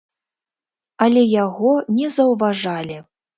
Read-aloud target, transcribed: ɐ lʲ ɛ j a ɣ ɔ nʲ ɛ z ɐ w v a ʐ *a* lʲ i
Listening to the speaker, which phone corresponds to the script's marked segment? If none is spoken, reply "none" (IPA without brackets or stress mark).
a